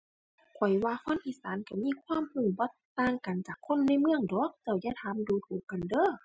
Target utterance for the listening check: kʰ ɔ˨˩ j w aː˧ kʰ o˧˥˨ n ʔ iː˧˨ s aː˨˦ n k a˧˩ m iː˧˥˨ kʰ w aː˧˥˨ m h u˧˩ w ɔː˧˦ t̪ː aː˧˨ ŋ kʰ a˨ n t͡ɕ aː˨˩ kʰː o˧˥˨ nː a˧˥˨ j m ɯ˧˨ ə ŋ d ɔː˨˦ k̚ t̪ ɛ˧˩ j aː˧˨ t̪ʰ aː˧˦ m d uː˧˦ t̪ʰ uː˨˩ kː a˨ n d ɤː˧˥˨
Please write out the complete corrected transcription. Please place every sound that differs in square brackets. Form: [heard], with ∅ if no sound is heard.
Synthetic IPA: kʰ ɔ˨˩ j w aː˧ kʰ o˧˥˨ n ʔ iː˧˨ s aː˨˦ n k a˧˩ m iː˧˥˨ kʰ w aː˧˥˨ m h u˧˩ [b] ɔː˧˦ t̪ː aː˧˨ ŋ [k] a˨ n t͡ɕ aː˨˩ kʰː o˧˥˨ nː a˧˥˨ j m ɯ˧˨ ə ŋ d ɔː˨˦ k̚ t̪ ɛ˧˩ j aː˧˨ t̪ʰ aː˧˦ m d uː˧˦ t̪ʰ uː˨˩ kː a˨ n d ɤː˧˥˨